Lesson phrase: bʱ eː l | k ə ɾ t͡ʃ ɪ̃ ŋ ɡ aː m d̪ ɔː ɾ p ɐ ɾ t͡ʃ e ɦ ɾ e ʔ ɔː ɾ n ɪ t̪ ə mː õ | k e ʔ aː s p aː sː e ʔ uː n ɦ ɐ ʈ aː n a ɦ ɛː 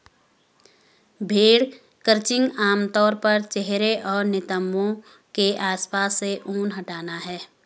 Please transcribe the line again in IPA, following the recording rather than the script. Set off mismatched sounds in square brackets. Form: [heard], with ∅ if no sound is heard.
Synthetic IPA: bʱ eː [ɽ] | k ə ɾ t͡ʃ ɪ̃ ŋ ɡ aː m [t̪] ɔː ɾ p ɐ ɾ t͡ʃ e ɦ ɾ e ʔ ɔː ɾ n ɪ t̪ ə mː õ | k e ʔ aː s p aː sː e ʔ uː n ɦ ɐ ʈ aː n a ɦ ɛː

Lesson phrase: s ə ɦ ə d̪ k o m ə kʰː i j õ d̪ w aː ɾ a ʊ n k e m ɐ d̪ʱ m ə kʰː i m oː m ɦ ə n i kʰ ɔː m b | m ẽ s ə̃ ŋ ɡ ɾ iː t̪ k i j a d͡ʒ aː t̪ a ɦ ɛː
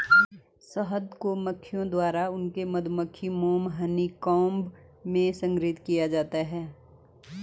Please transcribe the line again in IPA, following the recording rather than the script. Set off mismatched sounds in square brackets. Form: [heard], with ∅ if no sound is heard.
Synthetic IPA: s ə ɦ ə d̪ k o m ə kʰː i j õ d̪ w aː ɾ a ʊ n k e m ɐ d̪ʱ m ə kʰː i m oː m ɦ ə n i [k] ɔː m b | m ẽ s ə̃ ŋ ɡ ɾ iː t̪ k i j a d͡ʒ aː t̪ a ɦ ɛː

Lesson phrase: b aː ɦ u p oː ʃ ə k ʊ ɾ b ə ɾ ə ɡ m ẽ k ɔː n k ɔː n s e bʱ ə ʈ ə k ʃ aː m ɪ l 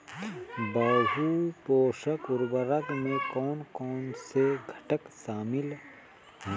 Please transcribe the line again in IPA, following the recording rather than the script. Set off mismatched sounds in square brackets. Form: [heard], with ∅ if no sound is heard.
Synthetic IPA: b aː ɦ u p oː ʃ ə k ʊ ɾ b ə ɾ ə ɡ m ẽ k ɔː n k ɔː n s e [ɡʱ] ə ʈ ə k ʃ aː m ɪ l

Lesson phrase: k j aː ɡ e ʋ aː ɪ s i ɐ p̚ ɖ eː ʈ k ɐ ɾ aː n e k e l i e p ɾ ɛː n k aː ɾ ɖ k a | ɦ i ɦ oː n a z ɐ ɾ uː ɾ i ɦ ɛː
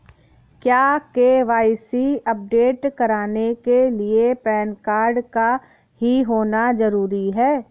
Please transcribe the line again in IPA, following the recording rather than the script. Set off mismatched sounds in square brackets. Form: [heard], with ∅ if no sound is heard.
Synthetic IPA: k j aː [k] e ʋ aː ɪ s i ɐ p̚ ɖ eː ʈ k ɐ ɾ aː n e k e l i e p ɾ ɛː n k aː ɾ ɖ k a | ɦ i ɦ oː n a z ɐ ɾ uː ɾ i ɦ ɛː

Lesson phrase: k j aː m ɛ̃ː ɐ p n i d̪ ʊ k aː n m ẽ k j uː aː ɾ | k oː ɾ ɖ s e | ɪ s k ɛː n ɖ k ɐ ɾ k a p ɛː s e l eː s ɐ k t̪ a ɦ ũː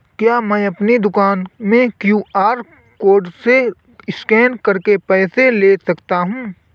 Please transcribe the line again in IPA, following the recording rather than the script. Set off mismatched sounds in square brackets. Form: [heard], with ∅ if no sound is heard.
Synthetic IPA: k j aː m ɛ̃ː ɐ p n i d̪ ʊ k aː n m ẽ k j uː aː ɾ | k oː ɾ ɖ s e | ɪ s k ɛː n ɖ k ɐ ɾ k [e] p ɛː s e l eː s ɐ k t̪ a ɦ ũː

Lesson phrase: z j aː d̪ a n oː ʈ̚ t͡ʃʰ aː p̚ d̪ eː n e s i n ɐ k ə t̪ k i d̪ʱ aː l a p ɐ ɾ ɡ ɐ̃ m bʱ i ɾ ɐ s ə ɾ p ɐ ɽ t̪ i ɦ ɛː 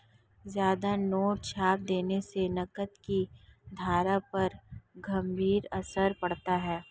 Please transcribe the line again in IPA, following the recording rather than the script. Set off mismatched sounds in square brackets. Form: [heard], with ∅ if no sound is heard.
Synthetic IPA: z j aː d̪ a n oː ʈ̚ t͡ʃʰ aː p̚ d̪ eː n e s [e] n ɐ k ə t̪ k i d̪ʱ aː [ɾ] a p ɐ ɾ ɡ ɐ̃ m bʱ [iː] ɾ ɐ s ə ɾ p ɐ ɽ t̪ [a] ɦ ɛː

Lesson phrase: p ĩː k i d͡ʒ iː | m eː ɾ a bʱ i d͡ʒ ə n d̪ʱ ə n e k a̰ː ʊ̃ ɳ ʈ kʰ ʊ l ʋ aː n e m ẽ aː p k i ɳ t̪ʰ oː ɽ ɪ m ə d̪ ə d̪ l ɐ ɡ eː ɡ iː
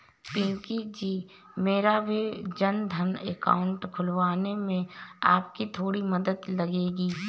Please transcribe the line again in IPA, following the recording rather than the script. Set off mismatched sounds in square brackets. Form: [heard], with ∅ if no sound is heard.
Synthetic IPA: p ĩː k i d͡ʒ iː | m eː ɾ a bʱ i d͡ʒ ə n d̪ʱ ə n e k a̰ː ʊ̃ ɳ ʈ kʰ ʊ l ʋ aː n e m ẽ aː p k i [∅] t̪ʰ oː ɽ [i] m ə d̪ ə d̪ l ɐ ɡ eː ɡ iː

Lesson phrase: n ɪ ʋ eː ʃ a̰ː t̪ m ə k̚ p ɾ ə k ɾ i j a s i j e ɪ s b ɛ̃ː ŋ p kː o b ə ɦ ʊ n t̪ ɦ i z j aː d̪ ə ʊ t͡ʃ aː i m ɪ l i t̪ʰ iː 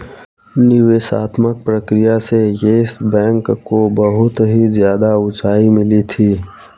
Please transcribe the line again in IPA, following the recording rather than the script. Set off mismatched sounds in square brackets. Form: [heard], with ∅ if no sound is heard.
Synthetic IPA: n ɪ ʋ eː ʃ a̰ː t̪ m ə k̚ p ɾ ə k ɾ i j a s [e] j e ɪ s b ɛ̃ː ŋ [k] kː o b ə ɦ ʊ [∅] t̪ ɦ i z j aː d̪ [a] ʊ t͡ʃ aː i m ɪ l i t̪ʰ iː

